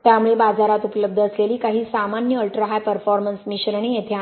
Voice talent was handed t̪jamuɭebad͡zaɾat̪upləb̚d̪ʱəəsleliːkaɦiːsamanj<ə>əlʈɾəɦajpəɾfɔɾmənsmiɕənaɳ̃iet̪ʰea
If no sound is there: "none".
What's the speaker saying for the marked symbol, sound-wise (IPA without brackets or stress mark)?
ə